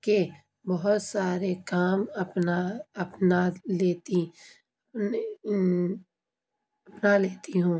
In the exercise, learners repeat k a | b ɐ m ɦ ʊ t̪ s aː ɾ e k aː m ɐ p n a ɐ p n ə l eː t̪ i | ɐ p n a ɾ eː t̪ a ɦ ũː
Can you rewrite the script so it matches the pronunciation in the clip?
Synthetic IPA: k e | b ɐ ɦ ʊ t̪ s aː ɾ e k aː m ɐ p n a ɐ p n a l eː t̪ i | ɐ p n a l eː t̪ i ɦ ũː